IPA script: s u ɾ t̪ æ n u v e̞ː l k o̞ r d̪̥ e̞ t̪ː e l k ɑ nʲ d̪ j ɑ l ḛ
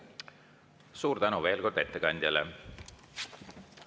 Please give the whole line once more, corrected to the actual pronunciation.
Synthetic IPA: s uː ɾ t̪ æ n u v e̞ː l k o̞ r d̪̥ e̞ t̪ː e k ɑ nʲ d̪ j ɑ l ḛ